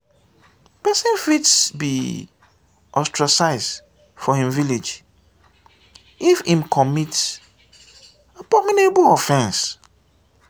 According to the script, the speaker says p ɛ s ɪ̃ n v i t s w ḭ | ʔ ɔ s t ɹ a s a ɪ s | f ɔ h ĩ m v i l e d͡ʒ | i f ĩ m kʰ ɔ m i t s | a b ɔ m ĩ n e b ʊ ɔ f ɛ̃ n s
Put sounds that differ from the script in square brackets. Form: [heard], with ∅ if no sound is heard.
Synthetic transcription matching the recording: p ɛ s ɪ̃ n [f] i t s [b] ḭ | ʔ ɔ s t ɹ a s a ɪ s | f ɔ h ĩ m v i l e d͡ʒ | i f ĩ m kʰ ɔ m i t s | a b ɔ m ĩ n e b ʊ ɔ f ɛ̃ n s